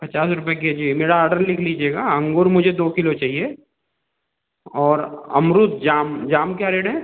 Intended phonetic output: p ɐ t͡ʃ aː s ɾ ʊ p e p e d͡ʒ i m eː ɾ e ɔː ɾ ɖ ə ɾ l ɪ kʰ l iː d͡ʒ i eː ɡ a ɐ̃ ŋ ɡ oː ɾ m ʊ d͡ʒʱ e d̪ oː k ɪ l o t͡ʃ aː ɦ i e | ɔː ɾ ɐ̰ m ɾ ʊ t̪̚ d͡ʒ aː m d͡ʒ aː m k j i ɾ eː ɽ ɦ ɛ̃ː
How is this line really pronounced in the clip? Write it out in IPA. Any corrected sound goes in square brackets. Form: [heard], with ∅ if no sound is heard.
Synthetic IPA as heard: p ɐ t͡ʃ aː s ɾ ʊ p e [k] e d͡ʒ i m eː ɾ [a] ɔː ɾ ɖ ə ɾ l ɪ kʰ l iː d͡ʒ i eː ɡ a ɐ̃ ŋ ɡ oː ɾ m ʊ d͡ʒʱ e d̪ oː k ɪ l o t͡ʃ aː ɦ i e | ɔː ɾ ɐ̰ m ɾ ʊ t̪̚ d͡ʒ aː m d͡ʒ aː m k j [a] ɾ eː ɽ ɦ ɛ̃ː

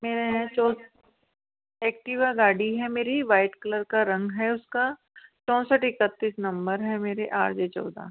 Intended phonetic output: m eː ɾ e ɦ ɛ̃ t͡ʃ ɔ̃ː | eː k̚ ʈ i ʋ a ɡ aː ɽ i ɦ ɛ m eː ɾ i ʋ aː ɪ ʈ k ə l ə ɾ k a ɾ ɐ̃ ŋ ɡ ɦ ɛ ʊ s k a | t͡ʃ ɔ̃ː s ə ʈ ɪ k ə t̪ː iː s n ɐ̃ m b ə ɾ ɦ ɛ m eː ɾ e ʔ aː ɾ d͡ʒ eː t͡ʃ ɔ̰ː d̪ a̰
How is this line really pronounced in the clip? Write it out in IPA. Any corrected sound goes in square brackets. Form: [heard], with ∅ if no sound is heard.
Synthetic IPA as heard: m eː ɾ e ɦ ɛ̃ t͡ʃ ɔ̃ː | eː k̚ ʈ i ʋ a ɡ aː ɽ i ɦ ɛ m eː ɾ i ʋ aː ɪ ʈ k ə l ə ɾ k a ɾ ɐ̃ ŋ ɡ ɦ ɛ ʊ s k a | t͡ʃ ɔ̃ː s ə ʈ ɪ k ə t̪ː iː s n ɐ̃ m b ə ɾ ɦ ɛ m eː ɾ e ʔ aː ɾ d͡ʒ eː t͡ʃ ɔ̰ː d̪ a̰

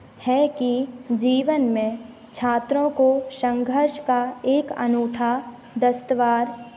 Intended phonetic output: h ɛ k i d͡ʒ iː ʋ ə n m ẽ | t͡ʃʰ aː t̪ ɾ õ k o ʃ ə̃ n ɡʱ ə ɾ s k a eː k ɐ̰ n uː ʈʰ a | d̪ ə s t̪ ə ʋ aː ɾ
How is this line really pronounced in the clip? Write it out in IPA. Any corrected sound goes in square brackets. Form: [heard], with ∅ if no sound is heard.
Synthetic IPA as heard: h ɛ k i d͡ʒ iː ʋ ə n m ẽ | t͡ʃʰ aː t̪ ɾ õ k o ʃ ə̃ [ŋ] ɡʱ ə ɾ [ʃ] k a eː k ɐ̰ n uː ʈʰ a | d̪ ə s t̪ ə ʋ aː ɾ

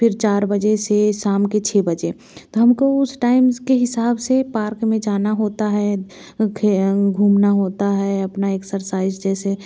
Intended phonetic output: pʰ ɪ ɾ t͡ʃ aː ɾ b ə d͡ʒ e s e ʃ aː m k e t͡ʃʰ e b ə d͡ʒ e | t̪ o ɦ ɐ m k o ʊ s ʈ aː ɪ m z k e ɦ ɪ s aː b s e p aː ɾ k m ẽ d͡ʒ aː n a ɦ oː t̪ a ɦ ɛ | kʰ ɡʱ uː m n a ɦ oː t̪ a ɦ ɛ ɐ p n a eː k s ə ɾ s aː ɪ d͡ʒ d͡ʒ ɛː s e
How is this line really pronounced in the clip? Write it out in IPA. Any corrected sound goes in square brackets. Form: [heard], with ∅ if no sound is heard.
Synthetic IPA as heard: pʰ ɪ ɾ t͡ʃ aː ɾ b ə d͡ʒ e s e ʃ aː m k e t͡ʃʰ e b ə d͡ʒ e | t̪ o ɦ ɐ m k o ʊ s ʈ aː ɪ m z k e ɦ ɪ s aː b s e p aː ɾ k m ẽ d͡ʒ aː n a ɦ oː t̪ a ɦ ɛ | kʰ ɡʱ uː m n a ɦ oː t̪ a ɦ ɛ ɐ p n a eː k s ə ɾ s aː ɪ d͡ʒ d͡ʒ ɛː s e

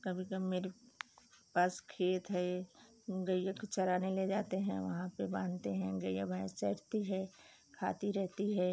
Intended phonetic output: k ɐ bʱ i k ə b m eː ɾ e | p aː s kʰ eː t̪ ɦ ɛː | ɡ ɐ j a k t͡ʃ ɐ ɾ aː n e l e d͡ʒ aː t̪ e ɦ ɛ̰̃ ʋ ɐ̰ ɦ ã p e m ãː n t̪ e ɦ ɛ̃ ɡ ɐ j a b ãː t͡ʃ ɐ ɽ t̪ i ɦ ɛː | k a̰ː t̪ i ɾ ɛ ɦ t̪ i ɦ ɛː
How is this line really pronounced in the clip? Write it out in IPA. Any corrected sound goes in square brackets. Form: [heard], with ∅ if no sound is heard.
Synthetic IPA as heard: k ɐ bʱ i k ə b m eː ɾ e | p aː s kʰ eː t̪ ɦ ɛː | ɡ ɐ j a k t͡ʃ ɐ ɾ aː n e l e d͡ʒ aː t̪ e ɦ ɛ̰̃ ʋ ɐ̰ ɦ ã p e [b] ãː n t̪ e ɦ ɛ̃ ɡ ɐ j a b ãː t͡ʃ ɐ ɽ t̪ i ɦ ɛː | [kʰ] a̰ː t̪ i ɾ ɛ ɦ t̪ i ɦ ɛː

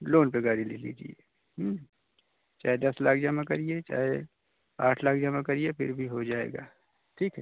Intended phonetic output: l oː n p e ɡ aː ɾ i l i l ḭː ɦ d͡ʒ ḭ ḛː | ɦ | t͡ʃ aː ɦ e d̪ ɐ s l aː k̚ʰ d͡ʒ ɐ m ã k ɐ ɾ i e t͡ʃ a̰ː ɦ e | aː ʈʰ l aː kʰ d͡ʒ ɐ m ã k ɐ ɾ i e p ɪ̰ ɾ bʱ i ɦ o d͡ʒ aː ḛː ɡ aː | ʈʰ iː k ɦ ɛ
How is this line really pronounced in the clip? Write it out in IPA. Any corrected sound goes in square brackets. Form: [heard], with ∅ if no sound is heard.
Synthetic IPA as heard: l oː n p e ɡ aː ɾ i l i l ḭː [∅] d͡ʒ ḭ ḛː | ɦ | t͡ʃ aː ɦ e d̪ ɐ s l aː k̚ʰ d͡ʒ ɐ m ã k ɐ ɾ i e t͡ʃ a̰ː ɦ e | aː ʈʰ l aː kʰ d͡ʒ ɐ m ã k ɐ ɾ i e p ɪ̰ ɾ bʱ i ɦ o d͡ʒ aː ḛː ɡ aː | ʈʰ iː k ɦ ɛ

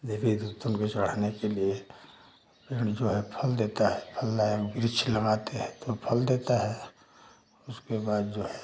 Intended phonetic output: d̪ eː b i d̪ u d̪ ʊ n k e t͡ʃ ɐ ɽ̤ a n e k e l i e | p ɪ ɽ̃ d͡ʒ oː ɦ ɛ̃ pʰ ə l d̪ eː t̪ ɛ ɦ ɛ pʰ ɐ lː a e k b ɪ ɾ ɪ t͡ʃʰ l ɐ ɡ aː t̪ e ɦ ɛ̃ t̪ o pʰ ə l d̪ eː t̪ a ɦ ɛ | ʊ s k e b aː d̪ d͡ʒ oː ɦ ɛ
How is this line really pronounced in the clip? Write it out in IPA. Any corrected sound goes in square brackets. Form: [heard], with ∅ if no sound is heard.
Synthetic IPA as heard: d̪ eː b i d̪ u [t̪] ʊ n k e t͡ʃ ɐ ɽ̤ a n e k e l i e | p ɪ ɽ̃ d͡ʒ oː ɦ [ɛ] pʰ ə l d̪ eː t̪ [a] ɦ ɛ pʰ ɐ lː a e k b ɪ ɾ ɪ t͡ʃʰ l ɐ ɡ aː t̪ e ɦ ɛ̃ t̪ o pʰ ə l d̪ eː t̪ a ɦ ɛ | ʊ s k e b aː d̪ d͡ʒ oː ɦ ɛ

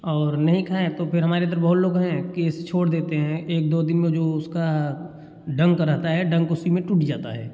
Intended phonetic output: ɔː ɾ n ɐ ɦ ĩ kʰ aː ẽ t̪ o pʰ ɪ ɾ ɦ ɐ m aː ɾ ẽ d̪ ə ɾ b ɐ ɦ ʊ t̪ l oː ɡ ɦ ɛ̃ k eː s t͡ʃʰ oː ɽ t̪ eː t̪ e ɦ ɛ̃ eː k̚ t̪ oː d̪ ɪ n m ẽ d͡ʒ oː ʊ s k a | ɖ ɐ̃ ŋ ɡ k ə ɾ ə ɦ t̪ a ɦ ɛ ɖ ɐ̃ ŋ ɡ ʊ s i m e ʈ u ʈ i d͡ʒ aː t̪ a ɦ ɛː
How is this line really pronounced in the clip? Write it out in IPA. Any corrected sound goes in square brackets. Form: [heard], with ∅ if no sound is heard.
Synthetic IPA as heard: ɔː ɾ n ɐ ɦ ĩ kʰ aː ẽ t̪ o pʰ ɪ ɾ ɦ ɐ m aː ɾ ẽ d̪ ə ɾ b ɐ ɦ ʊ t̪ l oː ɡ ɦ ɛ̃ k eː s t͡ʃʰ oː ɽ [d̪] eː t̪ e ɦ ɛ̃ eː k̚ [d̪] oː d̪ ɪ n m ẽ d͡ʒ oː ʊ s k a | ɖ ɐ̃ ŋ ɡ k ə ɾ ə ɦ t̪ a ɦ ɛ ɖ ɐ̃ ŋ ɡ ʊ s i m [ẽ] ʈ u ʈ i d͡ʒ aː t̪ a ɦ ɛː

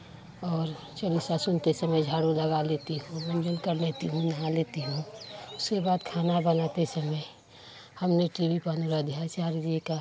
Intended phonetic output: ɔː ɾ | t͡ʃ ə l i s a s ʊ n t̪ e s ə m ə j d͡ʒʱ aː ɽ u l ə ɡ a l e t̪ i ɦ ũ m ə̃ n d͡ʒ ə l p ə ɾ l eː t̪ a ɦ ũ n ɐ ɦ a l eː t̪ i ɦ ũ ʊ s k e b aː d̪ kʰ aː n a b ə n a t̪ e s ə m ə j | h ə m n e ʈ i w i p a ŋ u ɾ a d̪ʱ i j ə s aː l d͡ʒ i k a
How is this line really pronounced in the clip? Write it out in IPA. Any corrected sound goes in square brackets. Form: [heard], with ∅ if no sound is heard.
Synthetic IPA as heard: ɔː ɾ | t͡ʃ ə l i s a s ʊ n t̪ e s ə m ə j d͡ʒʱ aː ɽ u l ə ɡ a l e t̪ i ɦ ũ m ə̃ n d͡ʒ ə l [k] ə ɾ l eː t̪ [i] ɦ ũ n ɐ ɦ a l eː t̪ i ɦ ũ ʊ s k e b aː d̪ kʰ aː n a b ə n a t̪ e s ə m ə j | h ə m n e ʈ i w i p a [n] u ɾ a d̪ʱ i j [a] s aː [ɾ] d͡ʒ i k a

